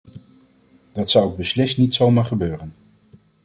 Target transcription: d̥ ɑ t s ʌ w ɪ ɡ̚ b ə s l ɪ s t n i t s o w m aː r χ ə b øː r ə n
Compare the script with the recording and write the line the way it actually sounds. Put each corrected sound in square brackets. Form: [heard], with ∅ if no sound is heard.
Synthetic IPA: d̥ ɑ t s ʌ w ɪ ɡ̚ b ə s l ɪ s t n i t s o w m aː [ɹ] χ ə b øː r ə n